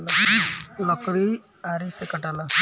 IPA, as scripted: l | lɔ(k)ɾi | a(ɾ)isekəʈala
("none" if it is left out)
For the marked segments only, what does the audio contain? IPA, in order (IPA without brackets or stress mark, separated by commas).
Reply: k, ɾ